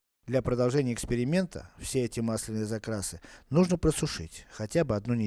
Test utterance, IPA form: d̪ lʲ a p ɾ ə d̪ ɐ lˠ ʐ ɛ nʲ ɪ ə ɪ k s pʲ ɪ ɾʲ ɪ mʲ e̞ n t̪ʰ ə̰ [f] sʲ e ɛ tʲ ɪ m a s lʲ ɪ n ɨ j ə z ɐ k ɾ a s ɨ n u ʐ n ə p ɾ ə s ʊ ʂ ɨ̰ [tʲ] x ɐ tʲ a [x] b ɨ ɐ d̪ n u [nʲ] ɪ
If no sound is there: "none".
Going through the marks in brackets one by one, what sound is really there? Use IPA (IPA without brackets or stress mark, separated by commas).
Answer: f, tʲ, none, nʲ